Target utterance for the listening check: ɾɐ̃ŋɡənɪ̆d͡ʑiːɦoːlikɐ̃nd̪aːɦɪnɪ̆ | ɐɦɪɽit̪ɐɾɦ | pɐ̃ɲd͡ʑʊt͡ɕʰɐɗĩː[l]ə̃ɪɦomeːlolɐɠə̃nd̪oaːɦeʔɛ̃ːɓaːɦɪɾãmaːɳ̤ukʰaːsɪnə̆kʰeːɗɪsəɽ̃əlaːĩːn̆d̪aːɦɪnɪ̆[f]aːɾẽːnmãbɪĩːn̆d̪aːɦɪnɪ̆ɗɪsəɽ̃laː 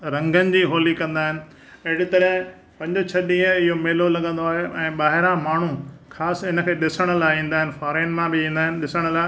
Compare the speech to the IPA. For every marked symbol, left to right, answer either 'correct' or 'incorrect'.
incorrect, correct

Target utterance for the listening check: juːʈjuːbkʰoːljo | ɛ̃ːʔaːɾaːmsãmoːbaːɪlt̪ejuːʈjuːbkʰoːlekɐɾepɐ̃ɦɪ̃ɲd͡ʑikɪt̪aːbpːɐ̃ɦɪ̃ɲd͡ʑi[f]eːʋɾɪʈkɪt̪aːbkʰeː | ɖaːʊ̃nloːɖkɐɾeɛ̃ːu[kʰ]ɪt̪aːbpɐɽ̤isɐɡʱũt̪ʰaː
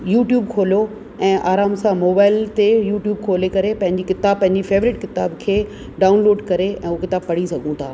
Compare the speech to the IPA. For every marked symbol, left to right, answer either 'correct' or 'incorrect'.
correct, incorrect

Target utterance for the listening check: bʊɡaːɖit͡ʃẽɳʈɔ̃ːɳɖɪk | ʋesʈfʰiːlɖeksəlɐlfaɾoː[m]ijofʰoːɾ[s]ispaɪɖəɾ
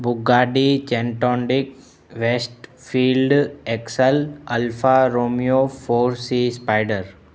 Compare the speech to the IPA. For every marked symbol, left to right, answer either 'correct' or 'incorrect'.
correct, correct

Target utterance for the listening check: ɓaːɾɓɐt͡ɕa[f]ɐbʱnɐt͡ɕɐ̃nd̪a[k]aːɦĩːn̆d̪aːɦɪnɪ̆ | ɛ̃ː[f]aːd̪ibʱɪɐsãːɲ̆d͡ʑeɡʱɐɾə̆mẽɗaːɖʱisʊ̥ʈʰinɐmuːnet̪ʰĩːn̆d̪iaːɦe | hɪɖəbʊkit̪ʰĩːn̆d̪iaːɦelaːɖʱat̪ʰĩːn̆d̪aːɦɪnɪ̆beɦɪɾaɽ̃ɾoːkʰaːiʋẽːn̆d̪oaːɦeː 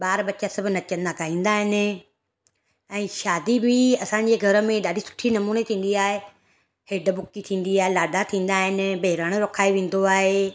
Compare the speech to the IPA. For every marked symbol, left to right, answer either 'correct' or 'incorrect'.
incorrect, correct, incorrect

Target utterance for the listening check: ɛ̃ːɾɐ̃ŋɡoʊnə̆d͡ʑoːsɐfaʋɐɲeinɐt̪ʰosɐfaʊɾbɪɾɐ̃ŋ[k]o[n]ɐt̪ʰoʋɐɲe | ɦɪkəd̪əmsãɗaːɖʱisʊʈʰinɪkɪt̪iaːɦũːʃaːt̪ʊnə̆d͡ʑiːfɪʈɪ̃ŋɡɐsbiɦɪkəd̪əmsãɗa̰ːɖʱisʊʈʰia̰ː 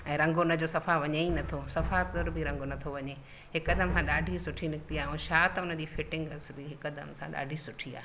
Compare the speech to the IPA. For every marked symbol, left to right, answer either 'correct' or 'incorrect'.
incorrect, correct

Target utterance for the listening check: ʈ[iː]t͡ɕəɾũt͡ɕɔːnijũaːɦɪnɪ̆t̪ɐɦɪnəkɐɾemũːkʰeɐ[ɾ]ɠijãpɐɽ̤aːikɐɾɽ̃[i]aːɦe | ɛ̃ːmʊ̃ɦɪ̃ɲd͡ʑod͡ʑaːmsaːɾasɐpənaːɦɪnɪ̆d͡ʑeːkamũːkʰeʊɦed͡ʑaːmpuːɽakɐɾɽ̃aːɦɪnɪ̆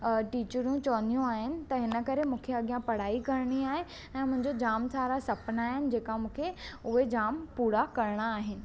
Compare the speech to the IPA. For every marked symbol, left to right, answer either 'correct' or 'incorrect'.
correct, incorrect, correct

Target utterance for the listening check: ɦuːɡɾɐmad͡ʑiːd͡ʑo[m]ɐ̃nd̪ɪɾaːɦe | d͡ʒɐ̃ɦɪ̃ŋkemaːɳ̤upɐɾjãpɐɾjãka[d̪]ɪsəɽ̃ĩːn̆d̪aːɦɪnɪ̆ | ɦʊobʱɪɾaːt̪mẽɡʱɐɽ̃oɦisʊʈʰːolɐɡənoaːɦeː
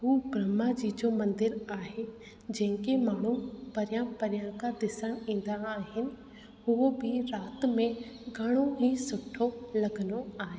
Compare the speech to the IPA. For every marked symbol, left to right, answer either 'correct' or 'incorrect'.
correct, correct

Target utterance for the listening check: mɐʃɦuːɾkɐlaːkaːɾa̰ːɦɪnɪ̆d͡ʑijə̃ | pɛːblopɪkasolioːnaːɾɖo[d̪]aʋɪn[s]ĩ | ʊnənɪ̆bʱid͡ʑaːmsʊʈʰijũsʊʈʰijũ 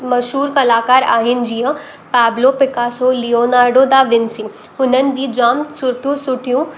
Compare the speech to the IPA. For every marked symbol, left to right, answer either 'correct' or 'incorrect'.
correct, correct

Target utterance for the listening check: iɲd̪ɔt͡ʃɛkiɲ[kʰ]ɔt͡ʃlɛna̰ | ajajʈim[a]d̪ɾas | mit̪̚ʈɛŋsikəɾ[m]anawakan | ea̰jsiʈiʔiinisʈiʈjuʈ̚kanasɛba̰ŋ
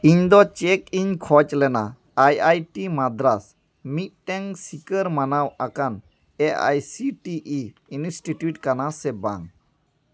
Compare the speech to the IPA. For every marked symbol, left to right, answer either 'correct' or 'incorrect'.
correct, correct, correct

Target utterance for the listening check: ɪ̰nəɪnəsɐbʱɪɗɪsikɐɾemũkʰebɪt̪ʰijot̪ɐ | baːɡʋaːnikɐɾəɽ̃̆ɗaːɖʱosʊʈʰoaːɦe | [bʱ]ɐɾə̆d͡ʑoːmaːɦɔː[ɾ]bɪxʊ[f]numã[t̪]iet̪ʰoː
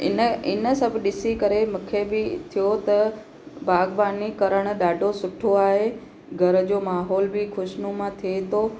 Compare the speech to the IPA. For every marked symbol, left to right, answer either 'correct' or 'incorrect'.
incorrect, incorrect, incorrect, incorrect

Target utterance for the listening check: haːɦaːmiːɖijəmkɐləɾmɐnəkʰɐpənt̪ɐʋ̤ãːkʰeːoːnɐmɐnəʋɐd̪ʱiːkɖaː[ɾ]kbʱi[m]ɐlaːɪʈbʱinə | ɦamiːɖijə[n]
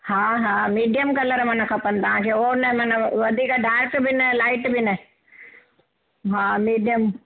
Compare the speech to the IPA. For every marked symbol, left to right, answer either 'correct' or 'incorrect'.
correct, incorrect, incorrect

